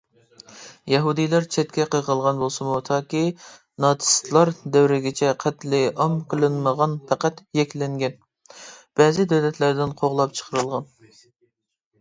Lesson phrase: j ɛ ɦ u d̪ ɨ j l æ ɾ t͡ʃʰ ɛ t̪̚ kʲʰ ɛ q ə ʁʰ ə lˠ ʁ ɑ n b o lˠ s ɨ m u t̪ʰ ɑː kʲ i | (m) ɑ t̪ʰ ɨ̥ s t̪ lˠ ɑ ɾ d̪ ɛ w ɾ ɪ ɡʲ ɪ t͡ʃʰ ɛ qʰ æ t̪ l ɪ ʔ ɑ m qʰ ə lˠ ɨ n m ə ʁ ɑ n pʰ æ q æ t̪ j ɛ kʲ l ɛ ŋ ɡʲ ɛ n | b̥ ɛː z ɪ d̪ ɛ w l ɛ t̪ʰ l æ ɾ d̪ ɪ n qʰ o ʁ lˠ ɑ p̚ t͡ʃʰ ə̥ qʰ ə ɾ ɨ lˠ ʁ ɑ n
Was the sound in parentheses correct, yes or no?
no